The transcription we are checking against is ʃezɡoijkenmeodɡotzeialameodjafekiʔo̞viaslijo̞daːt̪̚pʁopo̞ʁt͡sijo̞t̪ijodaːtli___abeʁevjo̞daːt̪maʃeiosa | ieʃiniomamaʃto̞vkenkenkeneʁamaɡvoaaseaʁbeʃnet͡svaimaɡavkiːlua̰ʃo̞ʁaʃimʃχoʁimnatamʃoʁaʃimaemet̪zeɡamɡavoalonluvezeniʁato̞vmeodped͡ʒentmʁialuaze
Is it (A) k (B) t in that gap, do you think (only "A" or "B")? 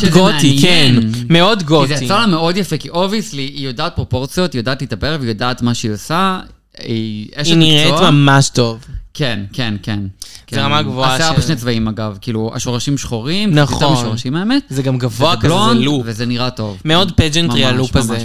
B